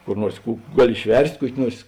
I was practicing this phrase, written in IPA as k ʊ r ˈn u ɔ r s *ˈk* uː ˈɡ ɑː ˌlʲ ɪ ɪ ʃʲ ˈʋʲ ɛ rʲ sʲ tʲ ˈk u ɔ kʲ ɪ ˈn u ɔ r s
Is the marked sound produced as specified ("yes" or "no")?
yes